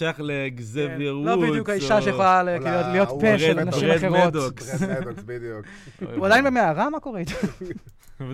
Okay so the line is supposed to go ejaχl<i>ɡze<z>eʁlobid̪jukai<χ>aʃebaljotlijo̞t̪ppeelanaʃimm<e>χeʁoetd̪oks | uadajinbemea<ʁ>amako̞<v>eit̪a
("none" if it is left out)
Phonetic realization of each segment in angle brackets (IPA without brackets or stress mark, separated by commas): e, v, ʃ, a, ʁ, ʁ